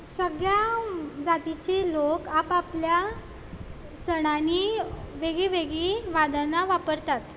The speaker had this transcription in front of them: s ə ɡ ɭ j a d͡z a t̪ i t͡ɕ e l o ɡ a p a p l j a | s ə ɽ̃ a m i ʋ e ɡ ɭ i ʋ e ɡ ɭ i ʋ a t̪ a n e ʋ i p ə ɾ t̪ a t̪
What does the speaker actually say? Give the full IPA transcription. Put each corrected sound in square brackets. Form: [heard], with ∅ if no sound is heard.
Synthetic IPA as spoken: s ə ɡ ɭ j a d͡z a t̪ i t͡ɕ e l o [k] a p a p l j a | s ə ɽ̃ a [n] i ʋ e ɡ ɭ i ʋ e ɡ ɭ i ʋ a [d̪] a n [a] ʋ [a] p ə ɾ t̪ a t̪